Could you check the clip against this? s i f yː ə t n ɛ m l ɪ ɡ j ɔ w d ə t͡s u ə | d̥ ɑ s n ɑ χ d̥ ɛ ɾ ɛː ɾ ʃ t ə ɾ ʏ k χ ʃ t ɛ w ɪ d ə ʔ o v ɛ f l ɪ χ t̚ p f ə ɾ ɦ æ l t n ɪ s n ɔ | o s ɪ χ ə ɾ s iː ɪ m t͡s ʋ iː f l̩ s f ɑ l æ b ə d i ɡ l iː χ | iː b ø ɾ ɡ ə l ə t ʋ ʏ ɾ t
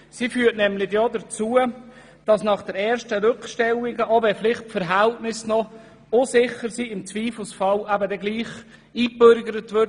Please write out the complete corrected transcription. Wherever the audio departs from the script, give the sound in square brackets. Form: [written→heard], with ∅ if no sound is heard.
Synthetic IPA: s i f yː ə t n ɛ m l ɪ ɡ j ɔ [w→∅] d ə t͡s u ə | d̥ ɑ s n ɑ χ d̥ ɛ ɾ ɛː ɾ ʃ t ə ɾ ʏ k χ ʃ t ɛ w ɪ [d→ɡ] ə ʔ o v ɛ f l ɪ χ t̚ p f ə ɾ ɦ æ l t n ɪ s n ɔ | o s ɪ χ ə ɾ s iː ɪ m t͡s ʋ iː f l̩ s f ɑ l æ b ə d [i→ɛ] ɡ l iː χ | iː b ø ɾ ɡ ə [l→ɾ] ə t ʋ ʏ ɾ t